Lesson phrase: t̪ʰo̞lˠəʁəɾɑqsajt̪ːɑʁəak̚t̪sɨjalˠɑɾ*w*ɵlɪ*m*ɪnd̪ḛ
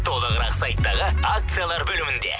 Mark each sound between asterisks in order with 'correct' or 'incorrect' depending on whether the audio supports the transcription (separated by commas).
incorrect, correct